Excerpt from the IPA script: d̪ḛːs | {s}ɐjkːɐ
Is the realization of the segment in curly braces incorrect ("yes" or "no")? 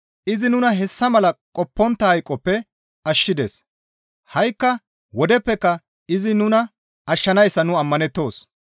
yes